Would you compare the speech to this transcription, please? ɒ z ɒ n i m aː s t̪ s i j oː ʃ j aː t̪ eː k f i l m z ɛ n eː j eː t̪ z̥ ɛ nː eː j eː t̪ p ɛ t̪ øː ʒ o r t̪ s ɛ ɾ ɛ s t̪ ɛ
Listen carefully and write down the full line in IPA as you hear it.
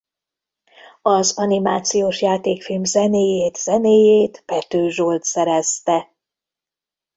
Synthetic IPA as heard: ɒ z ɒ n i m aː t̪ s i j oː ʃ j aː t̪ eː k f i l m z ɛ n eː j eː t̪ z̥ ɛ n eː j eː t̪ p ɛ t̪ øː ʒ o l t̪ s ɛ ɾ ɛ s t̪ ɛ